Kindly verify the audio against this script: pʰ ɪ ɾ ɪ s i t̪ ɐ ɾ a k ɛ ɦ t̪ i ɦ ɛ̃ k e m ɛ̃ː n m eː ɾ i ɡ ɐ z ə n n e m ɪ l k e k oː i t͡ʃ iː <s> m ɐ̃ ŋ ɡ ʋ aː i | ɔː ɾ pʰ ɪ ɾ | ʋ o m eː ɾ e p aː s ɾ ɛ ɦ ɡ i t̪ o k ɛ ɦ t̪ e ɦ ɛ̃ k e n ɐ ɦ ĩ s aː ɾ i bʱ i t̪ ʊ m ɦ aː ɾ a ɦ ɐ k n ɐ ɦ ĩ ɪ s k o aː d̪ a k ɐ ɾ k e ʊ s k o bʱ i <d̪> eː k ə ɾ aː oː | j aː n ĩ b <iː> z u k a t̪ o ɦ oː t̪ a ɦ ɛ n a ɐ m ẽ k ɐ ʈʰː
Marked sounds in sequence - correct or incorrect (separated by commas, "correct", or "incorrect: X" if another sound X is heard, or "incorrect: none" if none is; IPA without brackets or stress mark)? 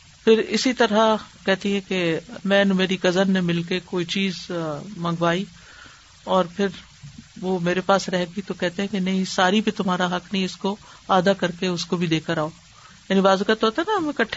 incorrect: z, correct, incorrect: aː